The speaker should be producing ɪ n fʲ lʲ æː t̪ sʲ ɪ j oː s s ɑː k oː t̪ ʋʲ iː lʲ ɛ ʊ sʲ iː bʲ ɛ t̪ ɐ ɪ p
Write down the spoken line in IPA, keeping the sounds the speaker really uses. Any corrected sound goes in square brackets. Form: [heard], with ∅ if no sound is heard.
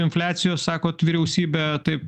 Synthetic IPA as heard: ɪ n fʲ lʲ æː t̪ sʲ ɪ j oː s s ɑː k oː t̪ ʋʲ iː [ɾʲ] ɛ ʊ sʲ iː bʲ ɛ t̪ ɐ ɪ p